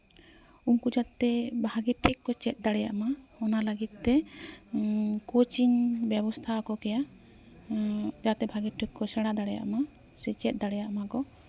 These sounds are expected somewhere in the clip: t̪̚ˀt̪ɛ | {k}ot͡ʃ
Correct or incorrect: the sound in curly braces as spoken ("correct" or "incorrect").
correct